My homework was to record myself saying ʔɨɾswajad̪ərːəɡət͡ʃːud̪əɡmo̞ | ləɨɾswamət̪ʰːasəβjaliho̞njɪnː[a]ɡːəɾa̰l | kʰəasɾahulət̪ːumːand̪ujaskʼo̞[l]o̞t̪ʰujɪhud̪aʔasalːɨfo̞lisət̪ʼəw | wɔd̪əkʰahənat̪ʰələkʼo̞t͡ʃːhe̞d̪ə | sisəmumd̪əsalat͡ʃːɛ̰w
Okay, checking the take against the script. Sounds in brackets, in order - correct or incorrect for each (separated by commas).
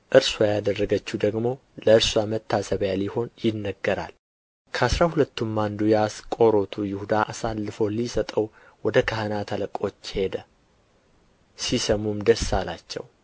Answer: incorrect, incorrect